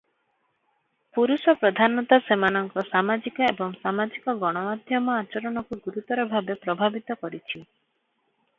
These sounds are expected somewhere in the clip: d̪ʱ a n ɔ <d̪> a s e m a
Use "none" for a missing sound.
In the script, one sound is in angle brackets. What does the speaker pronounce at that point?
t̪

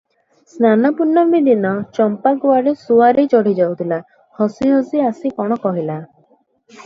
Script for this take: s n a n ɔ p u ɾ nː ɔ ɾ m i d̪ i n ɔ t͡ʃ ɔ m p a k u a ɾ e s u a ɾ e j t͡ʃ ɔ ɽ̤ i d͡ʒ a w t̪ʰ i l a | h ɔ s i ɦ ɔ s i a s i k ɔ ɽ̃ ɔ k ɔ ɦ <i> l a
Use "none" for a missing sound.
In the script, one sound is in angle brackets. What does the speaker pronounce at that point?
i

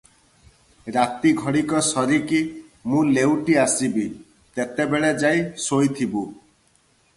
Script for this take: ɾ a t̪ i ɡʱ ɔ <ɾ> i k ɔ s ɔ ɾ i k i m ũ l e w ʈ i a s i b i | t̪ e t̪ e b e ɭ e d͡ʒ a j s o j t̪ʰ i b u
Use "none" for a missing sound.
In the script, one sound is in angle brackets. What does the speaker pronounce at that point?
ɽ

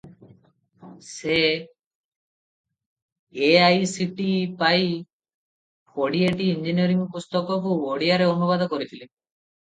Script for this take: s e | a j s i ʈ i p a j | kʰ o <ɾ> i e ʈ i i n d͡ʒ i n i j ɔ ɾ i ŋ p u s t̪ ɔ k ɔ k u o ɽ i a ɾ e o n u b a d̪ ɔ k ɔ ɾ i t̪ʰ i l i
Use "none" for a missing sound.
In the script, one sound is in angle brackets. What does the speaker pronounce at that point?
ɽ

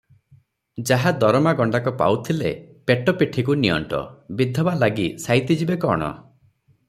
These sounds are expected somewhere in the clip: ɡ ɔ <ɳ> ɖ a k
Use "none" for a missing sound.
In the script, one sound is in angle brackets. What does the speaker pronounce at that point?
ɳ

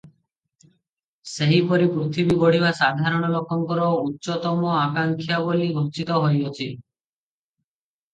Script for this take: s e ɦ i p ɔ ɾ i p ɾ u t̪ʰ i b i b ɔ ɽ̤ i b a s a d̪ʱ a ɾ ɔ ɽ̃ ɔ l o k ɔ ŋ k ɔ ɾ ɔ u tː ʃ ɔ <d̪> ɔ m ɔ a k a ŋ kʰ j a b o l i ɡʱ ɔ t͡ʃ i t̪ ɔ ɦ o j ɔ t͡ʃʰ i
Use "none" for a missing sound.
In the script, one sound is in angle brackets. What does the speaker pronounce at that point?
t̪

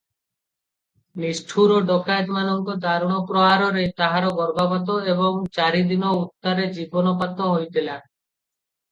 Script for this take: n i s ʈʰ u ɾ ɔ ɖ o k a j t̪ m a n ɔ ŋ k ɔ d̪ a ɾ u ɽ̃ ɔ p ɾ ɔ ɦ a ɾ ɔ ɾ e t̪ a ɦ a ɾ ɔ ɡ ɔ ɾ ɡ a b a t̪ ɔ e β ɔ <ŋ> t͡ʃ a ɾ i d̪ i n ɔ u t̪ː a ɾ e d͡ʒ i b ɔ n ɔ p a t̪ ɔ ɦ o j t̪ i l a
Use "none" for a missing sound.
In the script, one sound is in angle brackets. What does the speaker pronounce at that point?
ŋ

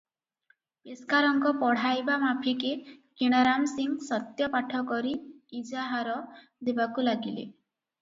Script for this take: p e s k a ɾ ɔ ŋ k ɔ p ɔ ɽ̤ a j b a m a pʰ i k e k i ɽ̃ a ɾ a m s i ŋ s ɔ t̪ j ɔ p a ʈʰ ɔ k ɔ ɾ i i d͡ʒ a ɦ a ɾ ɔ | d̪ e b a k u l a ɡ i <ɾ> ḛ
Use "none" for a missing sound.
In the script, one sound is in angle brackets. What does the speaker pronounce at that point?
l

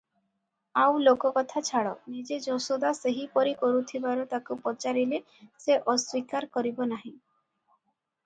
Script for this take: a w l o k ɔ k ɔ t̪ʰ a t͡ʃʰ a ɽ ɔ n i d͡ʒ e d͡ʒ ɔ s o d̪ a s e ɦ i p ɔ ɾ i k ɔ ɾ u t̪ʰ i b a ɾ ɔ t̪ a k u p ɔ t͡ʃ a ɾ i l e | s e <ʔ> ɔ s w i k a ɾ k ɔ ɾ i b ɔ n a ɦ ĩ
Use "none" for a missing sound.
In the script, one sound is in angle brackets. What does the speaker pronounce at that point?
ʔ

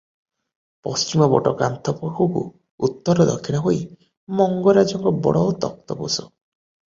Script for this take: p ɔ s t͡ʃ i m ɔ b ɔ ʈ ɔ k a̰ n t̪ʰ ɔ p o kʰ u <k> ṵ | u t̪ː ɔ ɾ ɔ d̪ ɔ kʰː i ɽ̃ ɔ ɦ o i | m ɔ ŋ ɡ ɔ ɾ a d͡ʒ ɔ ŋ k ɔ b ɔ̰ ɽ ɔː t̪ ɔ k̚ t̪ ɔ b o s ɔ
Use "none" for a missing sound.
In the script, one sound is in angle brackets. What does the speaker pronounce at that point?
k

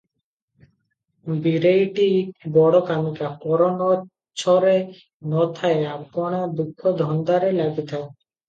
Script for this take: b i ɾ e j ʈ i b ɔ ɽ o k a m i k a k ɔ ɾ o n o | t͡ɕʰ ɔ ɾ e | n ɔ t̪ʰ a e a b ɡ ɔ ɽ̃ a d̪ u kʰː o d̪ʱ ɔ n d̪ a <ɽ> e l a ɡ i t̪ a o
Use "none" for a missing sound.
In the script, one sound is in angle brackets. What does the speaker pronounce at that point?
ɾ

